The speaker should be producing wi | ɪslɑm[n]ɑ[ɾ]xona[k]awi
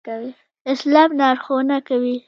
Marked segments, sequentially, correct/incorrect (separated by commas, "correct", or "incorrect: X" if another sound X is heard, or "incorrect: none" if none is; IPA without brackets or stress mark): correct, correct, correct